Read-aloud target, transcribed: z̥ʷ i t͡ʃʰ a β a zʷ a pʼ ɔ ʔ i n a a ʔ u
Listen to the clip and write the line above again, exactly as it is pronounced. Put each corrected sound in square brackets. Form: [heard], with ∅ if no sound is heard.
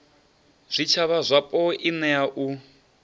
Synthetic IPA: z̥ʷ i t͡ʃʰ a β a zʷ a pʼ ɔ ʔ i n [ɛ] a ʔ u